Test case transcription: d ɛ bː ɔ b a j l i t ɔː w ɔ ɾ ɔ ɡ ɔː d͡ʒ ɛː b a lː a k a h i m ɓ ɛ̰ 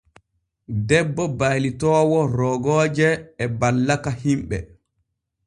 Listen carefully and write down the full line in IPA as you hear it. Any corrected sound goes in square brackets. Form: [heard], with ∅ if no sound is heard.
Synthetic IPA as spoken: d ɛ bː ɔ b a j l i t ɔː w ɔ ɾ ɔ ɡ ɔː d͡ʒ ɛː b a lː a k a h i m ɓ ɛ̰